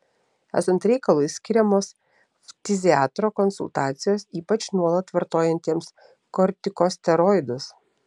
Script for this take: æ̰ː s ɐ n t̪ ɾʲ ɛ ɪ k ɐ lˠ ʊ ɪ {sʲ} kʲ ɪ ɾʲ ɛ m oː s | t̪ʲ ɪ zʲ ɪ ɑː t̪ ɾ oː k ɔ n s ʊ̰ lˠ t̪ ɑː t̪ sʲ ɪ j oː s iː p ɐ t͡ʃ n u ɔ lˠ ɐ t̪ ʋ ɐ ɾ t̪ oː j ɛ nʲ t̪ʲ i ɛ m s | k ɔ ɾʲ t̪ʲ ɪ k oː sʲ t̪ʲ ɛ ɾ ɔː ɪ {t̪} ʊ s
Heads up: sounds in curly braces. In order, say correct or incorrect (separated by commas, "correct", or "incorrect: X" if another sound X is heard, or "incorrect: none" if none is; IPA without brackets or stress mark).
correct, incorrect: d̪